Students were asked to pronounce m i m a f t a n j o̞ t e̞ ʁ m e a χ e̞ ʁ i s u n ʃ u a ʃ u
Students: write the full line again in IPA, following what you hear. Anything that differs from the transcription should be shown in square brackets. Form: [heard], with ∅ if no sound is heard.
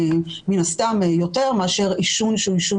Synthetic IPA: m i [n] a [s] t a [m] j o̞ t e̞ ʁ m e a [ʃ] e̞ ʁ i [ʃ] u n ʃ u [i] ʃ u